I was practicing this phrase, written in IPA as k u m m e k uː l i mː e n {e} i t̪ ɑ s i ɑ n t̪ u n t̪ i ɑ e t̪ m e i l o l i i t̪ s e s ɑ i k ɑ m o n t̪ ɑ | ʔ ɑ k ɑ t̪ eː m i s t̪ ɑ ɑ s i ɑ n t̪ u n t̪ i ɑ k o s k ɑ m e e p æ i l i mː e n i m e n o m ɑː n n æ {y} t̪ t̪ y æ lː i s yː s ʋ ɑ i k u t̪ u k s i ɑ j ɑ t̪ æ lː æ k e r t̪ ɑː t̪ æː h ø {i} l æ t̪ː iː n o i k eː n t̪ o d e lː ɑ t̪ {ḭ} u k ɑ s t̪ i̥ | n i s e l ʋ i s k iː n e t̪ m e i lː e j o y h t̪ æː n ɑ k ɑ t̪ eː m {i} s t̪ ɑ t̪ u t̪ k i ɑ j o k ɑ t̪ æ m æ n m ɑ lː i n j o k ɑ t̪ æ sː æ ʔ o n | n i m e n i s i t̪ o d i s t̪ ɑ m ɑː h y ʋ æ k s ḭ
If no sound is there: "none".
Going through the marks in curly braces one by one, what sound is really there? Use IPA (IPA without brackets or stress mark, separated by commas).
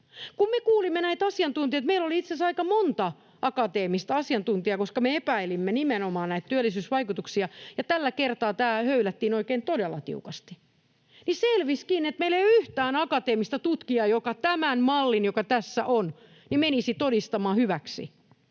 æ, i, y, ḭ, i